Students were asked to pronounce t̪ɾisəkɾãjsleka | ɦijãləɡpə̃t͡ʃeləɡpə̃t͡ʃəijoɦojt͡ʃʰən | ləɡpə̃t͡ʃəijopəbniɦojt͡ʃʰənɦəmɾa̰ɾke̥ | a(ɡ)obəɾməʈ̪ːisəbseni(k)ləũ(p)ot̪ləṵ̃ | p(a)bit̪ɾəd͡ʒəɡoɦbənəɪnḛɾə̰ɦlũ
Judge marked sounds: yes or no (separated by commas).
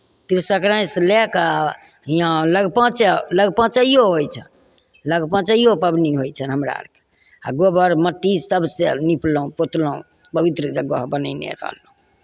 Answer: yes, no, yes, no